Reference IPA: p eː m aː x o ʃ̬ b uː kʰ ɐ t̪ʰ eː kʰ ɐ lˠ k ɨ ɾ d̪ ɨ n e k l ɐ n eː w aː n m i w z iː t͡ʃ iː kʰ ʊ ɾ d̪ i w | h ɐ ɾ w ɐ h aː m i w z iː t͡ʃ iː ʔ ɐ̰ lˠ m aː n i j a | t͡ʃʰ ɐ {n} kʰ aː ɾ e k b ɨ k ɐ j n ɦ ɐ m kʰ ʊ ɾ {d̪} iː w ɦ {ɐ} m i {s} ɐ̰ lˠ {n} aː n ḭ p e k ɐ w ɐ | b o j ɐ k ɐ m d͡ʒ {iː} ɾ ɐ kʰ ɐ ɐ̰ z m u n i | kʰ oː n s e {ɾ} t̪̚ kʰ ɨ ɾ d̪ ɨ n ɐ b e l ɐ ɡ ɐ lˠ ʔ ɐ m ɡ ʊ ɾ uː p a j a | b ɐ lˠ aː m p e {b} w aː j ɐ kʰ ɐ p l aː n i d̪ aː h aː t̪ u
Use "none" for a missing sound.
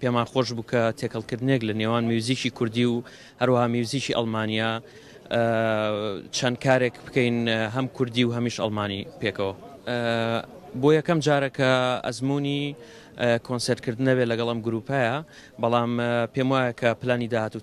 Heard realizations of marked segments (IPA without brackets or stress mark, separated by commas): n, d̪, ɐ, ʃ, m, aː, ɾ, m